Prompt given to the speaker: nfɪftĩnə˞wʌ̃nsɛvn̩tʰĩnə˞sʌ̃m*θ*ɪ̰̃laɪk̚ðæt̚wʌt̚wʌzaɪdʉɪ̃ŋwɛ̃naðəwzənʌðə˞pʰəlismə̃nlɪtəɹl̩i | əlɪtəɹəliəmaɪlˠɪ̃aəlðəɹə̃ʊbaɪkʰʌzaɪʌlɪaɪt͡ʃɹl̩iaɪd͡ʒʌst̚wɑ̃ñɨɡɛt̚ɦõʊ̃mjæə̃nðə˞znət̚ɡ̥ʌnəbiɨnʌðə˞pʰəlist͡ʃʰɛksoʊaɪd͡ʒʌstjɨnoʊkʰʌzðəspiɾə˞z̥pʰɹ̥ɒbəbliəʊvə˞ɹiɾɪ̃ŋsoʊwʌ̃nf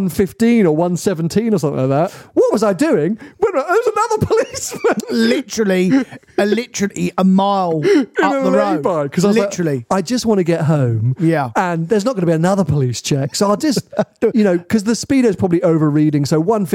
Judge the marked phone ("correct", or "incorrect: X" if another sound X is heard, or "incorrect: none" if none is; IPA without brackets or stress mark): correct